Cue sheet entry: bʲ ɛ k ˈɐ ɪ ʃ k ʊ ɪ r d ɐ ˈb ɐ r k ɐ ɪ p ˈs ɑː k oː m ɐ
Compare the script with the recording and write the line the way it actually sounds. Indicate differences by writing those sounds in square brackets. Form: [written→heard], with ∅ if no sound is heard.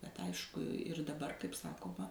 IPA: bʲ ɛ [k→t] ˈɐ ɪ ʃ k ʊ ɪ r d ɐ ˈb ɐ r k ɐ ɪ p ˈs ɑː k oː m ɐ